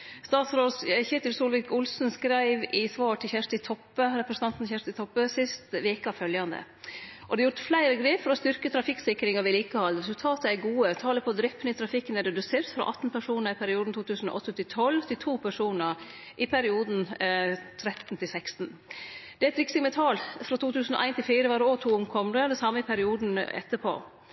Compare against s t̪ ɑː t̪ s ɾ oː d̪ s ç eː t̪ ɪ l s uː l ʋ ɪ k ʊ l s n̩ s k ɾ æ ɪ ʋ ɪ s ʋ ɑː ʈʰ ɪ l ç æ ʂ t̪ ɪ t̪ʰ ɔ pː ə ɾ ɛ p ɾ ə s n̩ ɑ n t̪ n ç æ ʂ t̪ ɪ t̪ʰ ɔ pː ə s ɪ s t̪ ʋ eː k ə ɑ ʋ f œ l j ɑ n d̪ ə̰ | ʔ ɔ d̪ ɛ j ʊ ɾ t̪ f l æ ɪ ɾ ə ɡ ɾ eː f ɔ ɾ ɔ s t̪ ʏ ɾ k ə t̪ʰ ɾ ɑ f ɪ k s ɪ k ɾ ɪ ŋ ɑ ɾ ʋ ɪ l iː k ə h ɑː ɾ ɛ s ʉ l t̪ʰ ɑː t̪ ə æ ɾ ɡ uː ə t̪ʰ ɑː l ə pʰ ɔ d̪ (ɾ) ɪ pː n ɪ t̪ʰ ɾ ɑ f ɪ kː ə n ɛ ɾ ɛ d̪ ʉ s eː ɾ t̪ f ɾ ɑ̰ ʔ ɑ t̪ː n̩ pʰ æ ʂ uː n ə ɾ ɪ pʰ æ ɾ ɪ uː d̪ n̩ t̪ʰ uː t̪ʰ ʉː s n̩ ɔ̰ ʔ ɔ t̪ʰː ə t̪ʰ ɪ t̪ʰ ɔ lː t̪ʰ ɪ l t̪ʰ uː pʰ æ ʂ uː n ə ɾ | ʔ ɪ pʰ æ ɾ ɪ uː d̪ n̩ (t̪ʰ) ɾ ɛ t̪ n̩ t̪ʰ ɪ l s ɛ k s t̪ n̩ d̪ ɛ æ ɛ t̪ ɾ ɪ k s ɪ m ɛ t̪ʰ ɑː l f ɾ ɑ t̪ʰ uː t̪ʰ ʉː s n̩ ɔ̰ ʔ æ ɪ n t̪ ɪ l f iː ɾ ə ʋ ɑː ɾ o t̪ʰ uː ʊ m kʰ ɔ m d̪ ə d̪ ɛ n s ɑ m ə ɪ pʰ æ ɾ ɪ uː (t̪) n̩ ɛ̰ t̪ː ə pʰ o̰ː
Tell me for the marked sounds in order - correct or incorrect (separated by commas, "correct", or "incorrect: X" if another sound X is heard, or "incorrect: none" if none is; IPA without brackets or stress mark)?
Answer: correct, correct, incorrect: d̪